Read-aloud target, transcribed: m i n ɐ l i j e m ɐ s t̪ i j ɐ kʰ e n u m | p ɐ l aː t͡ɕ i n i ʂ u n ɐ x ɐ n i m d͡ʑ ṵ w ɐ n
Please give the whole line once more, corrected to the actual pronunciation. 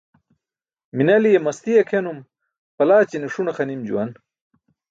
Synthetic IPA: m i n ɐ l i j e m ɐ s t̪ i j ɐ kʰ e n u m | p ɐ l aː t͡ɕ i n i ʂ u n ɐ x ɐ n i m d͡ʑ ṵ w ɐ n